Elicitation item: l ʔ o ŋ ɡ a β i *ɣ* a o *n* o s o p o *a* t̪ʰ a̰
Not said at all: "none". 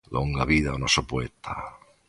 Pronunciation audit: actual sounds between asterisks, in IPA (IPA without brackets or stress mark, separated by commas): ð, n, e